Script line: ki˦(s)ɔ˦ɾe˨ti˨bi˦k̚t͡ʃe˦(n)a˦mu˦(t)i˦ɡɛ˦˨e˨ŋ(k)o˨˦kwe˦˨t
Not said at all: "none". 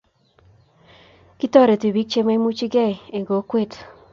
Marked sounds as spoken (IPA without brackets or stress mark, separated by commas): t, m, t͡ʃ, ɡ